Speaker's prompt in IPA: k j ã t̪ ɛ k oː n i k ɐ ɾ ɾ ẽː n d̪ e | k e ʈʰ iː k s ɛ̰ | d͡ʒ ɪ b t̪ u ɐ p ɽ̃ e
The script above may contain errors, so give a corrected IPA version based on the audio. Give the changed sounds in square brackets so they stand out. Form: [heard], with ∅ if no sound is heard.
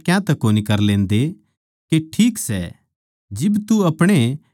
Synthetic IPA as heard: k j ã t̪ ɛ k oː n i k ɐ ɾ [l] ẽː n d̪ e | k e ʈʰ iː k s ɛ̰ | d͡ʒ ɪ b t̪ u ɐ p ɽ̃ e